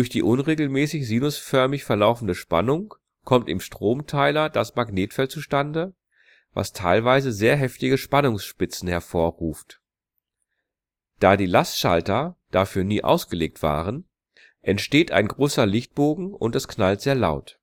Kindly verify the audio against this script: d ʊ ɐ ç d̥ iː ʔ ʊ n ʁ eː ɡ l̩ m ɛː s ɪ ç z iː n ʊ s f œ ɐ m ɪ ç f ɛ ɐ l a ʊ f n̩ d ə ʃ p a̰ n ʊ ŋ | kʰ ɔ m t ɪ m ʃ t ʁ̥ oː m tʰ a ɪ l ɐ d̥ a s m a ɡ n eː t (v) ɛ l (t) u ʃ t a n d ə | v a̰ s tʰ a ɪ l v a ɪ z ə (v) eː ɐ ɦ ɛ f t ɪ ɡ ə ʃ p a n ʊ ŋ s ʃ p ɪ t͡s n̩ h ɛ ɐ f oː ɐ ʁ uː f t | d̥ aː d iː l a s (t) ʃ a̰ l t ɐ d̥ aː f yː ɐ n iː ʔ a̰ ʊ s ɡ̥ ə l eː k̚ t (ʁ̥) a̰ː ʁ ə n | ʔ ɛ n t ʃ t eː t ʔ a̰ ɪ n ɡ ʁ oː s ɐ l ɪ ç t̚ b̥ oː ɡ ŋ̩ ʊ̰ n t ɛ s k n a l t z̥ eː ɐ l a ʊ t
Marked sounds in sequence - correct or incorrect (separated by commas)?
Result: incorrect, incorrect, incorrect, correct, incorrect